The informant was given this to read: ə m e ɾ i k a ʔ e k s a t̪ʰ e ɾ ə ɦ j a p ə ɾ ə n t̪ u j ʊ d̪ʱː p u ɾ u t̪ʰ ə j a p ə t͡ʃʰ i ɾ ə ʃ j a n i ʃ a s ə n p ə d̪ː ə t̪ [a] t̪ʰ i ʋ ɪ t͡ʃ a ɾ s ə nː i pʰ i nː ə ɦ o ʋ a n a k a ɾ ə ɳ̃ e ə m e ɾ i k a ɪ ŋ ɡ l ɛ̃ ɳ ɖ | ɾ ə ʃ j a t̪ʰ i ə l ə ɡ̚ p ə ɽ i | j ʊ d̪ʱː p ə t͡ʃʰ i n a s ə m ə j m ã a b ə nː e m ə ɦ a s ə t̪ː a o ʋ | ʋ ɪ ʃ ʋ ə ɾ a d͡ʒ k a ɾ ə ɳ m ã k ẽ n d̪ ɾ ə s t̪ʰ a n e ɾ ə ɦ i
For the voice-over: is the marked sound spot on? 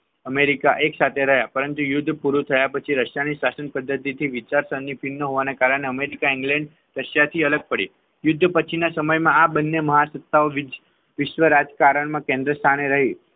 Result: no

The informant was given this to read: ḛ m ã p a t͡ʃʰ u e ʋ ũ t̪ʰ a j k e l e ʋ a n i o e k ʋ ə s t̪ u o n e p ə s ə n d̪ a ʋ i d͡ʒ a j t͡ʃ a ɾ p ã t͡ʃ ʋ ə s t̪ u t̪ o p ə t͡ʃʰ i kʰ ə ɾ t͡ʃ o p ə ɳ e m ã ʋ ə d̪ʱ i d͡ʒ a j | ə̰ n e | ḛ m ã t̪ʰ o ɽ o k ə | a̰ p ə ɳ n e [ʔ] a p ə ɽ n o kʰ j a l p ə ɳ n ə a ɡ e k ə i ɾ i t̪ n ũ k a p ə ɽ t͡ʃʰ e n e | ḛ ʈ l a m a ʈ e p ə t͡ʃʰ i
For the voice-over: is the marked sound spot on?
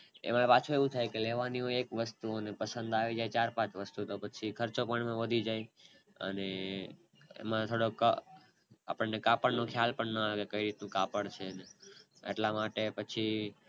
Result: no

